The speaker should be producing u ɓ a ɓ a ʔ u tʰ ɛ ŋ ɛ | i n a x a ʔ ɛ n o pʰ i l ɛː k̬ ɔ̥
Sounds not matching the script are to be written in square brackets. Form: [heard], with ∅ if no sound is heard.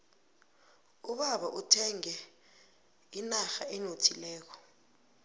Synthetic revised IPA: u ɓ a ɓ a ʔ u tʰ ɛ ŋ ɛ | i n a x a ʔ ɛ n o [tʰ] i l ɛː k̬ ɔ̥